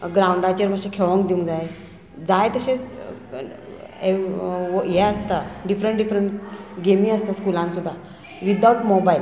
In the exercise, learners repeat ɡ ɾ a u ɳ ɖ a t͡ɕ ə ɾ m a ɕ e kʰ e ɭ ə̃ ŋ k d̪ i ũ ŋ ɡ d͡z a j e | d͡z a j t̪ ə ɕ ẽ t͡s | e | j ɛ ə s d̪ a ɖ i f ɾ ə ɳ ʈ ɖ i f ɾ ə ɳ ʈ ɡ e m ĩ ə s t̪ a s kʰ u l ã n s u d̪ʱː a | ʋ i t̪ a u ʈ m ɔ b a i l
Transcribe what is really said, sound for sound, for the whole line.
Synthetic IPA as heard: ɡ ɾ a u ɳ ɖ a t͡ɕ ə ɾ m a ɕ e kʰ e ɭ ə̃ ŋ k d̪ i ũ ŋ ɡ d͡z a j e | d͡z a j t̪ ə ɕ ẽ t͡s | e | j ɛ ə s t̪ a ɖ i f ɾ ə ɳ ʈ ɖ i f ɾ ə ɳ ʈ ɡ e m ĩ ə s t̪ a s k u l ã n s u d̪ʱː a | ʋ i d̪ a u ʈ m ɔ b a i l